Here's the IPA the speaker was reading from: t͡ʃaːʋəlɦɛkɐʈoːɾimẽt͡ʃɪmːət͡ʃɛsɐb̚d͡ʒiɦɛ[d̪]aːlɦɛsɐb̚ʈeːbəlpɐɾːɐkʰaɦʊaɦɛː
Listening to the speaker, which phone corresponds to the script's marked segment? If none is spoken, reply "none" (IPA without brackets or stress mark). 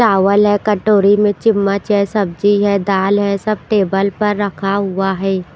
d̪